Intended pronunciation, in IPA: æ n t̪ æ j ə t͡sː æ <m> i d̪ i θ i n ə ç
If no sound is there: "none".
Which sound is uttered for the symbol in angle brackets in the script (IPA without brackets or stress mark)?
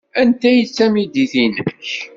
m